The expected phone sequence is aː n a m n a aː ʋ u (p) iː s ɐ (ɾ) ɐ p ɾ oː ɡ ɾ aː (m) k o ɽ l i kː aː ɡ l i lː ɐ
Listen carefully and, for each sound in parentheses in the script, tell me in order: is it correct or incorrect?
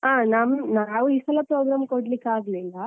incorrect, incorrect, correct

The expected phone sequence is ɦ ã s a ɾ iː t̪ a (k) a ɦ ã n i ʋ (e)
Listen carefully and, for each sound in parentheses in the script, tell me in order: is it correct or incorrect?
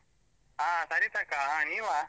correct, incorrect

